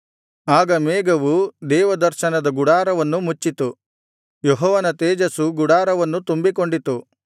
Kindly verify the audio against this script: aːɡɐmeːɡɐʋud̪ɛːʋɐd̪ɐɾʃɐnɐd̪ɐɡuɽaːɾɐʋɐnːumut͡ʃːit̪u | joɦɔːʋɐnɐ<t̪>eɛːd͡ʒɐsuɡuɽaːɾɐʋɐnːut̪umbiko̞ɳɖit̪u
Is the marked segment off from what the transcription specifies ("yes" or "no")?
no